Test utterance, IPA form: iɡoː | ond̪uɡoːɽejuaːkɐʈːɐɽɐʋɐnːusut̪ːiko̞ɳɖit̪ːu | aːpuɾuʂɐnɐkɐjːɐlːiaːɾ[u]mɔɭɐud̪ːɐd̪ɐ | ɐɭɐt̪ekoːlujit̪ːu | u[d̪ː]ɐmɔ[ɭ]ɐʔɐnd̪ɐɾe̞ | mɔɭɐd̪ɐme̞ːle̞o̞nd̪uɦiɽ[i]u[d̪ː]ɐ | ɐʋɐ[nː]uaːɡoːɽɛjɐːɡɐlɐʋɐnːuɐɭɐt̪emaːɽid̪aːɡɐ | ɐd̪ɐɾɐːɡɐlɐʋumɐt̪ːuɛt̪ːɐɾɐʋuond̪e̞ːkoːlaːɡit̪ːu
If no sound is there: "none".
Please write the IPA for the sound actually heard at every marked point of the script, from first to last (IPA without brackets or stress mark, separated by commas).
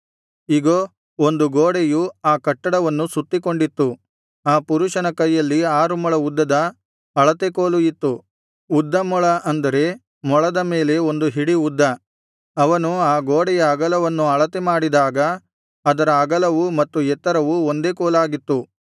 u, d̪ː, ɭ, i, d̪ː, n